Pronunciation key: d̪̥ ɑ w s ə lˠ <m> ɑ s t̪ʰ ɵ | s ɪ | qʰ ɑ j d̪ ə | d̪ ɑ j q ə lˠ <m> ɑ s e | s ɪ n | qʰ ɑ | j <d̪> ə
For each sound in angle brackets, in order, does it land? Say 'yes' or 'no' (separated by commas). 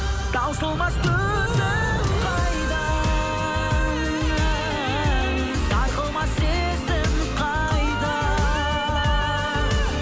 yes, yes, yes